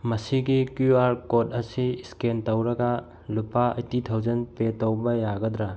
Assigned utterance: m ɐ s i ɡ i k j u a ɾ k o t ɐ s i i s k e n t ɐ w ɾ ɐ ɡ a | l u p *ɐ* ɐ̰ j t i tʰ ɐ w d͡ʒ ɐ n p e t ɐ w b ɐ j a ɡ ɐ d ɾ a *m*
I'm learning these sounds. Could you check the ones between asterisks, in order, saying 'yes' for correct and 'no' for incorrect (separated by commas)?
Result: no, no